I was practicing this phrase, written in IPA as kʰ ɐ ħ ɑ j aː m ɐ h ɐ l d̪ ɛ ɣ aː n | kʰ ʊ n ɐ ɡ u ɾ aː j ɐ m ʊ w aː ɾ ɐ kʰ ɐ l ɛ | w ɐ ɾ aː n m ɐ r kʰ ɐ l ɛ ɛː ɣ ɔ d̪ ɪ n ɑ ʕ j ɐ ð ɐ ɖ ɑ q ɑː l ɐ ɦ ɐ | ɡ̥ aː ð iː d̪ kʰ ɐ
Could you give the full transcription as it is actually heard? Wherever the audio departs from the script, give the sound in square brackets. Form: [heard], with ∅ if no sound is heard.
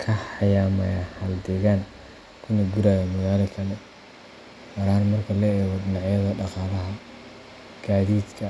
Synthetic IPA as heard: kʰ ɐ ħ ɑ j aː m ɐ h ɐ l d̪ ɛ ɣ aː n | kʰ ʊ n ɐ ɡ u ɾ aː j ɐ m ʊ [ɣ] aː [l] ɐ kʰ ɐ l ɛ | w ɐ ɾ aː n m ɐ r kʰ ɐ l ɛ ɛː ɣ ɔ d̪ ɪ n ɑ ʕ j ɐ ð ɐ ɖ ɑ q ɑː l ɐ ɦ ɐ | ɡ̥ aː ð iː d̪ kʰ ɐ